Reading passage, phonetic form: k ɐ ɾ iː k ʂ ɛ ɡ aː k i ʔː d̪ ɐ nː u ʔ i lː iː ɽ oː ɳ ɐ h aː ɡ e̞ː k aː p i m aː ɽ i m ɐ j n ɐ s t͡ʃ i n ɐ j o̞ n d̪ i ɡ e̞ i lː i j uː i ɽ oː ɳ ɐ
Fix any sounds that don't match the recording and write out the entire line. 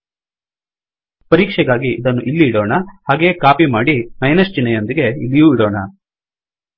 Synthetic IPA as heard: p ɐ ɾ iː k ʂ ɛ ɡ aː ɡ i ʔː d̪ ɐ nː u ʔ i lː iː ɽ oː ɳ ɐ h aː ɡ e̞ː k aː p i m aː ɽ i m ɐ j n ɐ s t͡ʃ i n ɐ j o̞ n d̪ i ɡ e̞ i lː i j uː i ɽ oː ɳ ɐ